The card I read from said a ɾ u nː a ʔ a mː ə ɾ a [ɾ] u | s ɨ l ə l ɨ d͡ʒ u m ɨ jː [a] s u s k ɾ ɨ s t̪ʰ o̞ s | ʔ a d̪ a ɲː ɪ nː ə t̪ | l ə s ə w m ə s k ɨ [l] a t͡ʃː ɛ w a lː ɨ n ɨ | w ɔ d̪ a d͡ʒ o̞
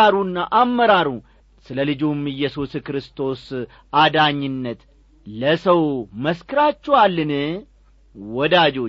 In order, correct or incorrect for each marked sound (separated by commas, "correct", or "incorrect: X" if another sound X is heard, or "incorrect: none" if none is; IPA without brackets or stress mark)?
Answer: correct, incorrect: ɛ, incorrect: ɾ